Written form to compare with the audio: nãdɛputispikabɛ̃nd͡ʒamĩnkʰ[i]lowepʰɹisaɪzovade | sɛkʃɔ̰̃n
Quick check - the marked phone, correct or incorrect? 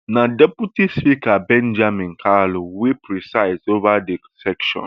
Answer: incorrect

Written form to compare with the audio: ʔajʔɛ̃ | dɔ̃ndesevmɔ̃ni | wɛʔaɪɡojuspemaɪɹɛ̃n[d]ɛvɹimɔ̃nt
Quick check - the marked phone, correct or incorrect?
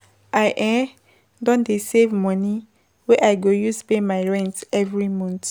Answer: incorrect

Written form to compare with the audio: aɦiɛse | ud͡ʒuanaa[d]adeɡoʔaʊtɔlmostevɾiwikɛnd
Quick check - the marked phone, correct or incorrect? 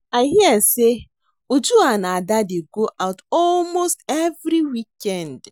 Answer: correct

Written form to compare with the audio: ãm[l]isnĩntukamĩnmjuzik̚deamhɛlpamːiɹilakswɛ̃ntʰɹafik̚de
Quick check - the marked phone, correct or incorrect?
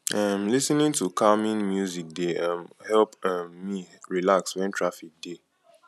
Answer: correct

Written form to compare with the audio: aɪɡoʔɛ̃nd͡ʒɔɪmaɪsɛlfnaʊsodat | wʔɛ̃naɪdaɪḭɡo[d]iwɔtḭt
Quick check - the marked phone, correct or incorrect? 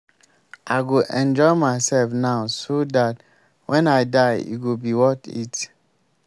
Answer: incorrect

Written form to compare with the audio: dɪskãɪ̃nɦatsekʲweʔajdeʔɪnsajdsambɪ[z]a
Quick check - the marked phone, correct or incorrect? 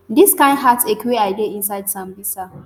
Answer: incorrect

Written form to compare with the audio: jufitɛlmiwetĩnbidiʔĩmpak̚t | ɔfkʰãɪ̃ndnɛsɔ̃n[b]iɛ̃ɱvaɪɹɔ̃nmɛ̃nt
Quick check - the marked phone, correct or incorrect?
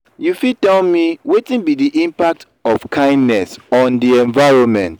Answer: incorrect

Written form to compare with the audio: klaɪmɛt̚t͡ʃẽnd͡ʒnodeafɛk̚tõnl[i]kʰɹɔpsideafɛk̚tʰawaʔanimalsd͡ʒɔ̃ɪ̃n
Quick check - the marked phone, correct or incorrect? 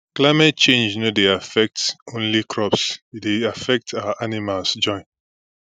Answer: correct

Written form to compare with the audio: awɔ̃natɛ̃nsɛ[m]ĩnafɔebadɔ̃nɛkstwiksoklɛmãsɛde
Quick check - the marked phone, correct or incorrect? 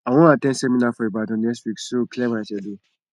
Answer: correct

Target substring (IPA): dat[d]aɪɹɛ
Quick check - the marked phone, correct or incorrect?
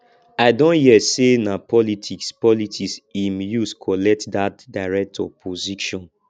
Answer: correct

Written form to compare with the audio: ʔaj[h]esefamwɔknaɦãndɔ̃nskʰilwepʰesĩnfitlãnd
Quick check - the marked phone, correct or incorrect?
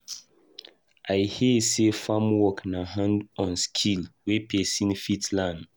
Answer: correct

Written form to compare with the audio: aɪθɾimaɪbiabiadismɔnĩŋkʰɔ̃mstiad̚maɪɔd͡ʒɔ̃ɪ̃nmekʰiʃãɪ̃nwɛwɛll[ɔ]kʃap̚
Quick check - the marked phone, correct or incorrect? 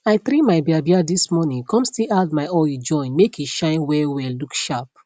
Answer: incorrect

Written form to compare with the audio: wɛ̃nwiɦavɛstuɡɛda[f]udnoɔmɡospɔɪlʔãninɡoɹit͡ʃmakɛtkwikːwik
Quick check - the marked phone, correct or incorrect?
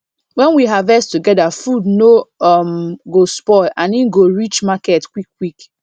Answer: correct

